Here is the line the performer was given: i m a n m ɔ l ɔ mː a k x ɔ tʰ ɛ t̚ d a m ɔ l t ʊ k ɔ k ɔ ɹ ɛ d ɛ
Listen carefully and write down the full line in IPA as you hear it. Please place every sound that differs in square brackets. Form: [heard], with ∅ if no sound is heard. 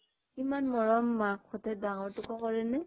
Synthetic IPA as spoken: i m a n m ɔ [ɹ] ɔ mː a k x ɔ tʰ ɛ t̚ d a [ŋ] ɔ [ɹ] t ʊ k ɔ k ɔ ɹ ɛ [n] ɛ